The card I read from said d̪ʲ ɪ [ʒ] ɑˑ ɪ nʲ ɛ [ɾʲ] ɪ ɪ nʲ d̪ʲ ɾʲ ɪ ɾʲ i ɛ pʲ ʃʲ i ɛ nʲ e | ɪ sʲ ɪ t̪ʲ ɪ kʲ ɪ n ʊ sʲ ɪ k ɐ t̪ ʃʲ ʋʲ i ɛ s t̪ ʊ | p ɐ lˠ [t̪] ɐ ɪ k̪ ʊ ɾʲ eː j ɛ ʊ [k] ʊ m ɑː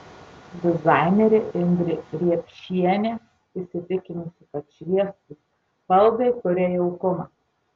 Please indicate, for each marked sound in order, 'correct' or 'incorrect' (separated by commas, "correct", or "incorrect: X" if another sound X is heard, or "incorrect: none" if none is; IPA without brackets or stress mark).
incorrect: z, correct, incorrect: d̪, correct